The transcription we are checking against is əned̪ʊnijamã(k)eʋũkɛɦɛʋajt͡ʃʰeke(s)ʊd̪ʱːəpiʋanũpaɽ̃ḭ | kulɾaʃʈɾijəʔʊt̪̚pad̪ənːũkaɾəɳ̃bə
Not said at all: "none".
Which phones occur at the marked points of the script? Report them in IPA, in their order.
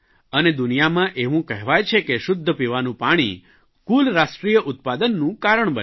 ʔ, ʃ

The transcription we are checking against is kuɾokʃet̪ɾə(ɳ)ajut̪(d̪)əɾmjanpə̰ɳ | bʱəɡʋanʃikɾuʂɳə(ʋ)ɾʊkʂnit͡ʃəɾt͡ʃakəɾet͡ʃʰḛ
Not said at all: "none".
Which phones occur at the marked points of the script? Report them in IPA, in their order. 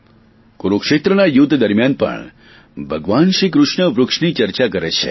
n, d̪, ʋ

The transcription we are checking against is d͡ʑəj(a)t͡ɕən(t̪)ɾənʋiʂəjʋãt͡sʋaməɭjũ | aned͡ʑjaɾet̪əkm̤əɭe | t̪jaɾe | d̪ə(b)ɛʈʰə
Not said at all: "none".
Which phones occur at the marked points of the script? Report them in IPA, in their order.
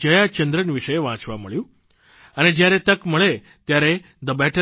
a, d̪, b

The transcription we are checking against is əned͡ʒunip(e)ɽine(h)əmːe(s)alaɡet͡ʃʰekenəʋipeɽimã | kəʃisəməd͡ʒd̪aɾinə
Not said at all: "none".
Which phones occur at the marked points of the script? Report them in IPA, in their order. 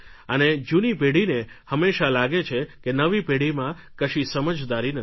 e, h, ʃ

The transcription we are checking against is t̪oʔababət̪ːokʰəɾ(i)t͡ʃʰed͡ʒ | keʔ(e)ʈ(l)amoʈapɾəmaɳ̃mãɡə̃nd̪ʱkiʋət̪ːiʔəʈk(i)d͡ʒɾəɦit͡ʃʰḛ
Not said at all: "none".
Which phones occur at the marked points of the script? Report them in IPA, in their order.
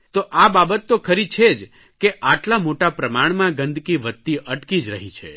i, a, l, i

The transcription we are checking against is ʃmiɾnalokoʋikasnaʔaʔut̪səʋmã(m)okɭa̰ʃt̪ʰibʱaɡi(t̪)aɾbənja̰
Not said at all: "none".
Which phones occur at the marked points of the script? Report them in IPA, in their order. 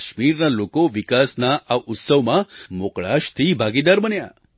m, d̪

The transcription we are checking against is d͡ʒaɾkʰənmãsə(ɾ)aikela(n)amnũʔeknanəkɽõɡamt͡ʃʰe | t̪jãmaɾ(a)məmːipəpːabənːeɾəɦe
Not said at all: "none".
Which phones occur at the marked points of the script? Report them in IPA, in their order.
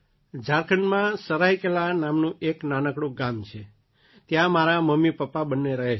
ɾ, n, a

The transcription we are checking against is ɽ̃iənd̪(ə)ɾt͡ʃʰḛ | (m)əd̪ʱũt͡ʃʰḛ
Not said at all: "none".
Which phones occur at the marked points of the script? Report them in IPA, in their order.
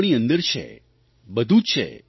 ə, b

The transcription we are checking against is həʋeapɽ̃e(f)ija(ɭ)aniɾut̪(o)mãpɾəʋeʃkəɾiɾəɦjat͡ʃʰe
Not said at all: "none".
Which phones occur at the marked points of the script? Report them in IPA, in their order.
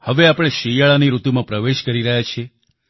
ʃ, ɭ, u

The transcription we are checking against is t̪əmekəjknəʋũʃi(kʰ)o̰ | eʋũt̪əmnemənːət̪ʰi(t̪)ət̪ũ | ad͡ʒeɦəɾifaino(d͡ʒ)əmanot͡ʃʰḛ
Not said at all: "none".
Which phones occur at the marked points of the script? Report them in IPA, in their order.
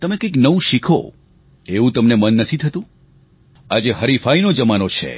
kʰ, t̪ʰ, d͡ʒ

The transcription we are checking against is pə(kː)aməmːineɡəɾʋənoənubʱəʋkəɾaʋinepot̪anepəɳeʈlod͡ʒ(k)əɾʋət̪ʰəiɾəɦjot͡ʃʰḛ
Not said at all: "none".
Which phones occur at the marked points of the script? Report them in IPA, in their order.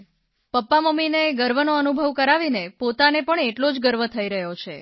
pː, ɡ

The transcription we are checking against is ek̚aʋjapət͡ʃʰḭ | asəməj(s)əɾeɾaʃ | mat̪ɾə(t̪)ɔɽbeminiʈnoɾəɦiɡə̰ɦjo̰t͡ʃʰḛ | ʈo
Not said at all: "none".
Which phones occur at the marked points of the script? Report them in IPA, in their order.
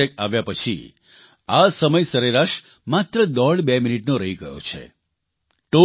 s, d̪

